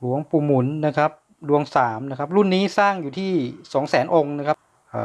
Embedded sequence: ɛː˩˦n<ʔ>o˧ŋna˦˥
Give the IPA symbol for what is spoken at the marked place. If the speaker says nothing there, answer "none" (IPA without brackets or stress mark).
ʔ